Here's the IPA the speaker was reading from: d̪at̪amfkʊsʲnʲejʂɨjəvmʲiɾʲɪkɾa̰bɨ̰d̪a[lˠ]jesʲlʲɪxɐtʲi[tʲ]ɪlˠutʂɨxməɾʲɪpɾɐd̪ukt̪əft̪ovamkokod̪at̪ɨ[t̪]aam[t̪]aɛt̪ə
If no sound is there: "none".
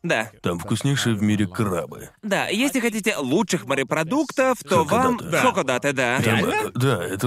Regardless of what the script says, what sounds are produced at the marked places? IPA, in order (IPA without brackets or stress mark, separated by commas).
none, tʲ, d̪, d̪